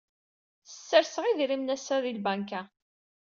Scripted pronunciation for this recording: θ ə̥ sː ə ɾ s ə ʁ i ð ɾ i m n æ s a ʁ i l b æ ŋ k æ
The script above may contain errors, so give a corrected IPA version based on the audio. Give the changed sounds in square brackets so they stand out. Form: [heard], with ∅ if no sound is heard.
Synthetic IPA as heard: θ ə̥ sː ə ɾ s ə ʁ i ð ɾ i m n æ s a [ð] i l b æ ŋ k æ